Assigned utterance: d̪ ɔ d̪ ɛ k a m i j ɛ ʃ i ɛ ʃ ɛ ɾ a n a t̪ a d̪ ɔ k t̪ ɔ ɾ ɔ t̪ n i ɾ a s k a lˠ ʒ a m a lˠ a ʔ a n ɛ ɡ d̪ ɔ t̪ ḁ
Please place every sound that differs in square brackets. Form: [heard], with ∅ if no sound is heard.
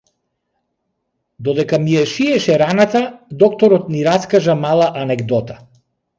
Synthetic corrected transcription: d̪ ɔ d̪ ɛ k a m i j ɛ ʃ i ɛ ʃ ɛ ɾ a n a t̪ a d̪ ɔ k t̪ ɔ ɾ ɔ t̪ n i ɾ a s k a [∅] ʒ a m a lˠ a ʔ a n ɛ ɡ d̪ ɔ t̪ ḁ